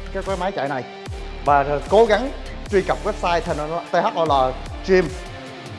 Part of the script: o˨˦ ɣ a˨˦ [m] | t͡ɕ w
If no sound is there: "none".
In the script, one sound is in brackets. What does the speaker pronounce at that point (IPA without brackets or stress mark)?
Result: ŋ